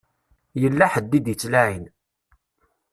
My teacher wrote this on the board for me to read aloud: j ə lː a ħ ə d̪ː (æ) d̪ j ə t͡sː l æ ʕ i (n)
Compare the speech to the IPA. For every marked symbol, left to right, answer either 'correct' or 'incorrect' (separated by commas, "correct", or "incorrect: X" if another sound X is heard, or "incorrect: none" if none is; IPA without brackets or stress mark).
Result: incorrect: i, correct